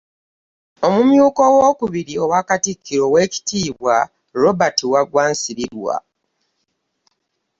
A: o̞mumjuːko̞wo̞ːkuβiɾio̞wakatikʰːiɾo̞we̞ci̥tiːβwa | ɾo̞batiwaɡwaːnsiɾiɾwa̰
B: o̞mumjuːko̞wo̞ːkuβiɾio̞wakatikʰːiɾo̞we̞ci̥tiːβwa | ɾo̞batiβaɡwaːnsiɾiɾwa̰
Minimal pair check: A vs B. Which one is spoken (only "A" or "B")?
A